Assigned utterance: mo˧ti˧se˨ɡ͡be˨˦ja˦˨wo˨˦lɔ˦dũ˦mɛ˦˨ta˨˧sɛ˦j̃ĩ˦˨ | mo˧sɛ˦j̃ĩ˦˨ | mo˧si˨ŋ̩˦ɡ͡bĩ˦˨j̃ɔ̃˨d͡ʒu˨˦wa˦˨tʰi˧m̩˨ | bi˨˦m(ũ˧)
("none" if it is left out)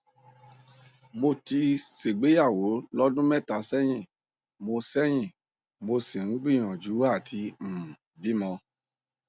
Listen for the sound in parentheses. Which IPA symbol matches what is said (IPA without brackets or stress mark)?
ɔ̃˧